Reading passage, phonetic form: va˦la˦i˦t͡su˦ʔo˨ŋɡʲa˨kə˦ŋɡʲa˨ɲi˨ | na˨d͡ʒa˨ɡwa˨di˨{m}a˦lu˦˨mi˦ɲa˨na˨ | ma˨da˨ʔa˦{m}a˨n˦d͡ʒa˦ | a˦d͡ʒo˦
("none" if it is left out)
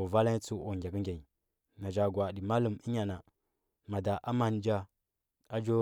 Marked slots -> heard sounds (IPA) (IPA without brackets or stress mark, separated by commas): m, m